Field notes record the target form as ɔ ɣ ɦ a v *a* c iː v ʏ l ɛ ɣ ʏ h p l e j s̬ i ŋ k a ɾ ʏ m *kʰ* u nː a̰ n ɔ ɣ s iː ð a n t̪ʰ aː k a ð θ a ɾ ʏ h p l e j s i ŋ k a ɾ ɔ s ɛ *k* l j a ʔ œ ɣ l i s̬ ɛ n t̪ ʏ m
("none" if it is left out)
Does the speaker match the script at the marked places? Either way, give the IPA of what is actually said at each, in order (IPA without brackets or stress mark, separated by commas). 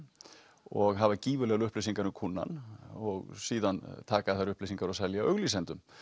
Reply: a, kʰ, none